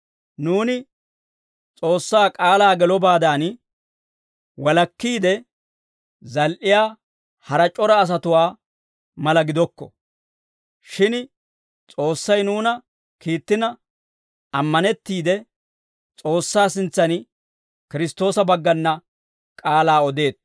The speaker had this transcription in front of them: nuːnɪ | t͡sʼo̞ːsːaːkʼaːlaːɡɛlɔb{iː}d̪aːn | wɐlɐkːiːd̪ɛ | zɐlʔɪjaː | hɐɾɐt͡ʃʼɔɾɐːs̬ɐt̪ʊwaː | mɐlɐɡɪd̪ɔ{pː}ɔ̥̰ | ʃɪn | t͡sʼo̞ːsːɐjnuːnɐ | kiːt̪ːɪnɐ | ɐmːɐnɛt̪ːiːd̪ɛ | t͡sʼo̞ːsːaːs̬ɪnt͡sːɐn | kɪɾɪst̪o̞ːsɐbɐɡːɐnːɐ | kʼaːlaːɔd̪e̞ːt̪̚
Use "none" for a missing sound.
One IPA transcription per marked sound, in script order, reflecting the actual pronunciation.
aː, kː

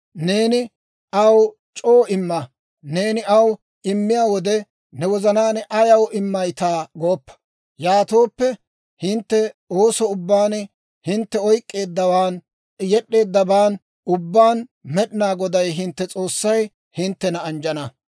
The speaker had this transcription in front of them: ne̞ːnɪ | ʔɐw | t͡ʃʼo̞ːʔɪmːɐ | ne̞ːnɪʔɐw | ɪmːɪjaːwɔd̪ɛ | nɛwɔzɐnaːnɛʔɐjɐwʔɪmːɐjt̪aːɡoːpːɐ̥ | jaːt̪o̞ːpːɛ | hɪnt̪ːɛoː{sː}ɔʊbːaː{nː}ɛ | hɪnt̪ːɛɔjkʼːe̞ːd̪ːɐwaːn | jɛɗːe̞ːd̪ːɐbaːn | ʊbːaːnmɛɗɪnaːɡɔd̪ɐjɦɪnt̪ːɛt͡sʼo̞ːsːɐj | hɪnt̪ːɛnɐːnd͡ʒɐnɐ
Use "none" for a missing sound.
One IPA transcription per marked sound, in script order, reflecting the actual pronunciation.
s, n

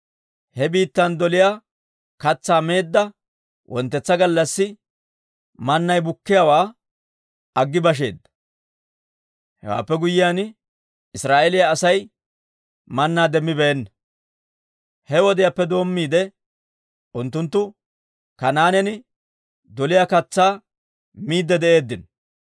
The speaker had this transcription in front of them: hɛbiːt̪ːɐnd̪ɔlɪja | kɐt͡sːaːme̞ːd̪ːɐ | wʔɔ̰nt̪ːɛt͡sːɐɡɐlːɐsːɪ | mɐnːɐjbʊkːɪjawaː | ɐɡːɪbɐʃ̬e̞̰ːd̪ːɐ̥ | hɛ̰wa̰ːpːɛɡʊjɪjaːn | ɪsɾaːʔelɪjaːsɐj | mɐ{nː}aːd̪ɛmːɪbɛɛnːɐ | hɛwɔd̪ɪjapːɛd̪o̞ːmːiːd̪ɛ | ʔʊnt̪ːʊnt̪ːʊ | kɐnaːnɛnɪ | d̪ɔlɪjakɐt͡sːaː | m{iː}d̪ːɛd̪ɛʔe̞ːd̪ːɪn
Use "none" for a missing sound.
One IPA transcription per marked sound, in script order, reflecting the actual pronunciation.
nː, iː

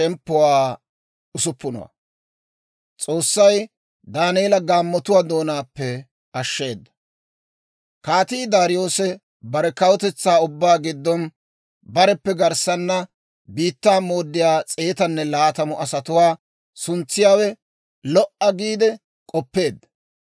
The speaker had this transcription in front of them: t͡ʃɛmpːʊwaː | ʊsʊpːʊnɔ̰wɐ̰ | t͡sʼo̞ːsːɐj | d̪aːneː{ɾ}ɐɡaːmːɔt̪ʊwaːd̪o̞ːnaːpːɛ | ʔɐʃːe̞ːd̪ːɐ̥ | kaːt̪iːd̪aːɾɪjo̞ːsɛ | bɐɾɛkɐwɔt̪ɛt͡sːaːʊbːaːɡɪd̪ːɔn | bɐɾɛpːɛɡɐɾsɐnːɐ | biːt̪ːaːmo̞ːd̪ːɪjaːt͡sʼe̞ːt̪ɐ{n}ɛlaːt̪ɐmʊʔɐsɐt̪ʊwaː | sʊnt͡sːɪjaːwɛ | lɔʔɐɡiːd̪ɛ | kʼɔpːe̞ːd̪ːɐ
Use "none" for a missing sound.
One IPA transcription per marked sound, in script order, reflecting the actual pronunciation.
l, nː

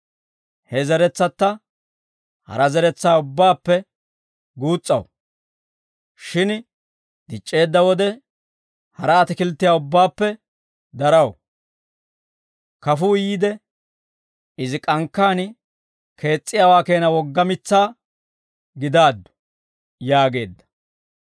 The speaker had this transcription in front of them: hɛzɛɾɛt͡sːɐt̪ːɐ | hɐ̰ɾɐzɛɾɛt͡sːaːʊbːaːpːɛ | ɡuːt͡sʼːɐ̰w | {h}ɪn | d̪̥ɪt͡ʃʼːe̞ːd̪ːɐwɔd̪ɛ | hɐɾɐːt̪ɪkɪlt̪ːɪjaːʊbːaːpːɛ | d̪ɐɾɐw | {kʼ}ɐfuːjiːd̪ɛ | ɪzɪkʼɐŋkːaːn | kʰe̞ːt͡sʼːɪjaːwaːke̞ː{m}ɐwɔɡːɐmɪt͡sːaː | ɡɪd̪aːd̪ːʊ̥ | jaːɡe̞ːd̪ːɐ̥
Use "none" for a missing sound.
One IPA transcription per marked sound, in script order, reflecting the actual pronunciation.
ʃ, k, n

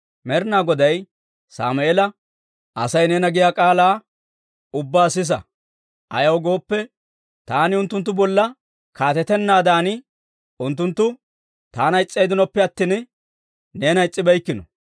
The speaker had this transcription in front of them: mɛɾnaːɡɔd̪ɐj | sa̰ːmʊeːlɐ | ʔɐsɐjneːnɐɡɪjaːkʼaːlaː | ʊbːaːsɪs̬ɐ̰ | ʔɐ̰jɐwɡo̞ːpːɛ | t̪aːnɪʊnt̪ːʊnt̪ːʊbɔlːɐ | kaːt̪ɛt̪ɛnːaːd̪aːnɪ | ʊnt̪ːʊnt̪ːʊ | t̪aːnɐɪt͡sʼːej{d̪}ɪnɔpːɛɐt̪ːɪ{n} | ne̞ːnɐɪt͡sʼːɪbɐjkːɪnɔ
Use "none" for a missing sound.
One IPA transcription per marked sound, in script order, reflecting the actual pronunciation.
d̪, n

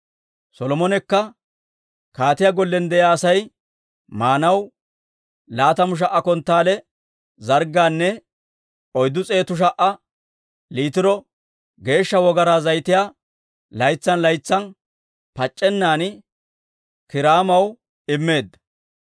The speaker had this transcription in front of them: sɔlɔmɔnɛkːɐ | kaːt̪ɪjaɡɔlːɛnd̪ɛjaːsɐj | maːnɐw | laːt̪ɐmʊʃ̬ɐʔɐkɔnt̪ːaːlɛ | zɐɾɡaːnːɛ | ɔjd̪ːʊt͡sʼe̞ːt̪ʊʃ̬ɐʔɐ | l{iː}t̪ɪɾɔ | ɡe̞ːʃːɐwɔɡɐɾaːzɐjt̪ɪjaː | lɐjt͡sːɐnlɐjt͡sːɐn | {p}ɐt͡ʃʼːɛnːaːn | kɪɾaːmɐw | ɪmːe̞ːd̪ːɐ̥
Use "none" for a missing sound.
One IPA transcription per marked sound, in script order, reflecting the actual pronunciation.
iː, p

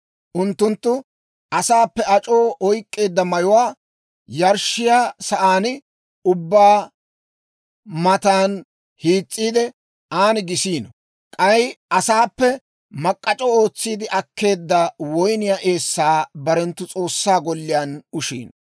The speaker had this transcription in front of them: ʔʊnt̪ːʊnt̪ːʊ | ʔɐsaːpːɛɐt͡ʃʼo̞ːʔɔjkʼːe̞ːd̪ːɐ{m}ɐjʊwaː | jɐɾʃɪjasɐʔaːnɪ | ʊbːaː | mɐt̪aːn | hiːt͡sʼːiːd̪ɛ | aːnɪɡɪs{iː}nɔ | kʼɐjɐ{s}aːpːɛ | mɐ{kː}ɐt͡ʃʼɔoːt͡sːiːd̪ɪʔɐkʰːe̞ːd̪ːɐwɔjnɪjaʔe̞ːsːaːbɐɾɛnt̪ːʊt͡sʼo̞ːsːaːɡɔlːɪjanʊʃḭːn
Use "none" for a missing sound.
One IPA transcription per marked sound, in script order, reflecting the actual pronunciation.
m, iː, s, kʼː

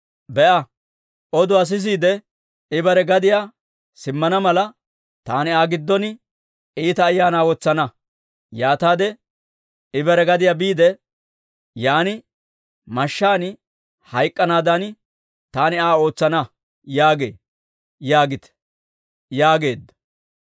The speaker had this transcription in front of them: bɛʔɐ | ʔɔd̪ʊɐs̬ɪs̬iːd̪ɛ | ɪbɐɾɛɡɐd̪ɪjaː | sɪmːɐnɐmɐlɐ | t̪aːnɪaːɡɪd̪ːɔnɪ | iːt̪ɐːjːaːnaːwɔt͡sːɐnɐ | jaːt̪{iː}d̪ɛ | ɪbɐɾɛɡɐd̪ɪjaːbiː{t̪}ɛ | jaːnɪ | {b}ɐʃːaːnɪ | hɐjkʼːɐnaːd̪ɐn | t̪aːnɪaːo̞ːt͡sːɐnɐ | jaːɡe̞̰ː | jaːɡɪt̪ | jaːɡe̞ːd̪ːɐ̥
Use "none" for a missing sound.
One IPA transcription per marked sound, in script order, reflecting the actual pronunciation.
aː, d̪, m

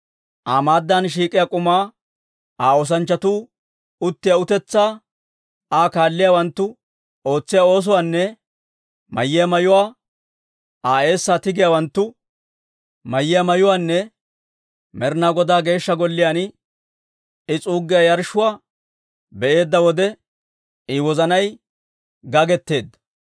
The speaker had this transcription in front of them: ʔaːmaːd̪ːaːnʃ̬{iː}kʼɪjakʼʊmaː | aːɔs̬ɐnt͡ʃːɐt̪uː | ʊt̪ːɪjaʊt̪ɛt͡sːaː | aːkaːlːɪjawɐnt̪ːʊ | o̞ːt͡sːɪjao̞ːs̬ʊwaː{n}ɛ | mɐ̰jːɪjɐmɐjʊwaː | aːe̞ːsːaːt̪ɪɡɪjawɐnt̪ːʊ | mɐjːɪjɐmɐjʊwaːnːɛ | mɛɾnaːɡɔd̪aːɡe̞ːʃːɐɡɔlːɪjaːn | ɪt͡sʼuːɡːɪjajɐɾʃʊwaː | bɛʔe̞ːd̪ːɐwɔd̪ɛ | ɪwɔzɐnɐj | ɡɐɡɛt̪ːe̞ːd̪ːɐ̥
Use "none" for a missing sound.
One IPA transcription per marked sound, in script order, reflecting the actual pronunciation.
iː, nː

